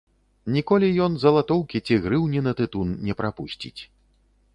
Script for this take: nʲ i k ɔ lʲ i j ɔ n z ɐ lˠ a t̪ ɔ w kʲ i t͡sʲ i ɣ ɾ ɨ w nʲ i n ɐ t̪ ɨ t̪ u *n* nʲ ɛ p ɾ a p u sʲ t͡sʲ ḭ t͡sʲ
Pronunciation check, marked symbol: correct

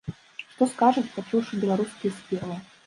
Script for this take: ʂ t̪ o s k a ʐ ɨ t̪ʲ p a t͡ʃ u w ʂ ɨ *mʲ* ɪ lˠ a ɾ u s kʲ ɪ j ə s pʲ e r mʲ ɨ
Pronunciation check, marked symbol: incorrect: bʲ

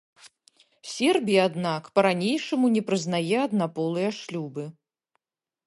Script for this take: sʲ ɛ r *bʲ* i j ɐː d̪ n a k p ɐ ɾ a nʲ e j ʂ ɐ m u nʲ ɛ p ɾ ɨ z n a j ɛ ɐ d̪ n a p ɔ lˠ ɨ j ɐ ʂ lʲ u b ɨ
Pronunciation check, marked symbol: correct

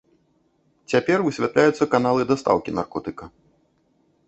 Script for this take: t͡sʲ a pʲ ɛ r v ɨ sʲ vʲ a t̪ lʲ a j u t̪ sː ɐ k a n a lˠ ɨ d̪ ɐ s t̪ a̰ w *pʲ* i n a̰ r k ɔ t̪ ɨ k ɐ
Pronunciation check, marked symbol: incorrect: kʲ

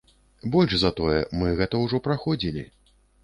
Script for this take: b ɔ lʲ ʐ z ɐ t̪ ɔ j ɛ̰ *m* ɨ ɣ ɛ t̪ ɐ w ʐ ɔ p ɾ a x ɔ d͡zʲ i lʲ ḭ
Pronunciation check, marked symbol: correct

